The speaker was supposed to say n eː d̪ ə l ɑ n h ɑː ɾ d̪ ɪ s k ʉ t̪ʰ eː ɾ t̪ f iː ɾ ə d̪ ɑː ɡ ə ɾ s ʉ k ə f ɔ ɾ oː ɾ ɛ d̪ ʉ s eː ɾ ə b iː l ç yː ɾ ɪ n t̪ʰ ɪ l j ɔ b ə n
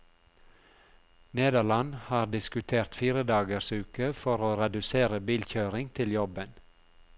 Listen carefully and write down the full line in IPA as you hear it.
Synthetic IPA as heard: n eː d̪ ə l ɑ n h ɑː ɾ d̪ ɪ s k ʉ t̪ʰ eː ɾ t̪ f iː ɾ ə d̪ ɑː ɡ ə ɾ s ʉː k ə f ɔ ɾ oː ɾ ɛ d̪ ʉ s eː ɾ ə b iː l ç øː ɾ ɪ ŋ t̪ʰ ɪ l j ɔ b ə n